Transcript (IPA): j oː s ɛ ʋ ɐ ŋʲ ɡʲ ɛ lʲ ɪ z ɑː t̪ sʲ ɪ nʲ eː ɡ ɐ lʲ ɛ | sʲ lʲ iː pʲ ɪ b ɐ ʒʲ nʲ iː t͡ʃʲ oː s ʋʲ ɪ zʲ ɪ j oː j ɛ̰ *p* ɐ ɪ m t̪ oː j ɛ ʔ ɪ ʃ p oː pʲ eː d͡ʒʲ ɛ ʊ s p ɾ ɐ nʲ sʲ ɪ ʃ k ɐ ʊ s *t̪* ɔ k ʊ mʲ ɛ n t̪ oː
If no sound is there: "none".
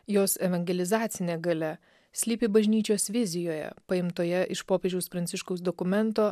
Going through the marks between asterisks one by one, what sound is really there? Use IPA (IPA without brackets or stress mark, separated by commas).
p, d̪